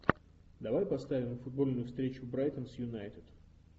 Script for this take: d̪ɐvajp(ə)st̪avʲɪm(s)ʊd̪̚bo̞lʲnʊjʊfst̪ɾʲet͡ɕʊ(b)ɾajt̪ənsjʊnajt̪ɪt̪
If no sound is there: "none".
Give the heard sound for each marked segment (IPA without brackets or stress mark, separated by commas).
ɐ, f, b